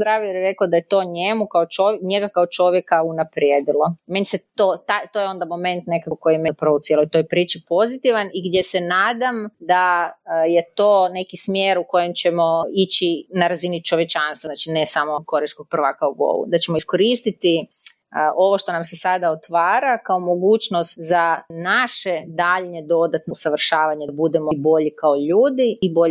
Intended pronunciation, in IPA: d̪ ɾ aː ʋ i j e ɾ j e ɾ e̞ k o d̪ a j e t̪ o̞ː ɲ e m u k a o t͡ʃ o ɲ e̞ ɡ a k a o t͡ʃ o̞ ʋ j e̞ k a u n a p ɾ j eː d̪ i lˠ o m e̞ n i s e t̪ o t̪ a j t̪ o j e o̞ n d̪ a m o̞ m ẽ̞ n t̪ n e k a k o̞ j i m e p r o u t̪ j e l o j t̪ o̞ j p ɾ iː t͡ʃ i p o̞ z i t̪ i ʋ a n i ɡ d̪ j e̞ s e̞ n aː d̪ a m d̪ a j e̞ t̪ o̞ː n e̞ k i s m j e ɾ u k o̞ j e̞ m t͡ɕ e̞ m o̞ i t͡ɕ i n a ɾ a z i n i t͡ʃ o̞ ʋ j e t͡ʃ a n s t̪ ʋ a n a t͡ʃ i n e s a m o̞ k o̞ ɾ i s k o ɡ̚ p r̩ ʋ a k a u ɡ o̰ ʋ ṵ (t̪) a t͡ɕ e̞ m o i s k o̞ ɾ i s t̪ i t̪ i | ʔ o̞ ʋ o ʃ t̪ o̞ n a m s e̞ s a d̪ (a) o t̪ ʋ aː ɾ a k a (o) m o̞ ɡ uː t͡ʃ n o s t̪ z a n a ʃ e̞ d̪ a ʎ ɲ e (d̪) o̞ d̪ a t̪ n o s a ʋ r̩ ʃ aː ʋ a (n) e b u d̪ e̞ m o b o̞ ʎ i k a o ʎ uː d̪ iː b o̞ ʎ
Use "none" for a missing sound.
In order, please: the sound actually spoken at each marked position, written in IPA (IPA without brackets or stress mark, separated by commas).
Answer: d̪, a, o, d̪, ɲ